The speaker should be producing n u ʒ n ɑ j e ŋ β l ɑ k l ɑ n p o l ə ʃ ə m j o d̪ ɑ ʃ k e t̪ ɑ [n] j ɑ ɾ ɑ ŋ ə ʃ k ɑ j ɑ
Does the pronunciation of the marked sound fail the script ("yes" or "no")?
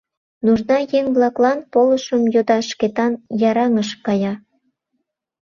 no